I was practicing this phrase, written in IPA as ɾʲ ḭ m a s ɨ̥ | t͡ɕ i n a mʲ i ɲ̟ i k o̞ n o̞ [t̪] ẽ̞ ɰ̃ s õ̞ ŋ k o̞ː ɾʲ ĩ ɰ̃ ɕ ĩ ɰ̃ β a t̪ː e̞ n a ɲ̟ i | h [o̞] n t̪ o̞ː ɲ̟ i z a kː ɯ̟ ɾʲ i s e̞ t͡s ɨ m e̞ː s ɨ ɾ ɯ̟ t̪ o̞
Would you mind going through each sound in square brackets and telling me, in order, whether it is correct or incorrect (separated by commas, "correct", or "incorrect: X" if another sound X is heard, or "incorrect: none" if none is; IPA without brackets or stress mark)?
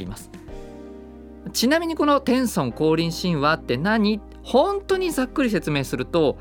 correct, incorrect: õ̞